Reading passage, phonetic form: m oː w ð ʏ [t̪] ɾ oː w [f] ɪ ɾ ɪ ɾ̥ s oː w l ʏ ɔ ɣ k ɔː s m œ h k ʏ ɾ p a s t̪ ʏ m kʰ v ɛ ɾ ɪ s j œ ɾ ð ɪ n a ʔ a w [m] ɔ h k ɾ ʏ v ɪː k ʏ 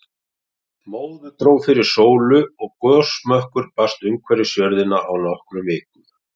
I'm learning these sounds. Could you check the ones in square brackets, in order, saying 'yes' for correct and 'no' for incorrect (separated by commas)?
yes, yes, no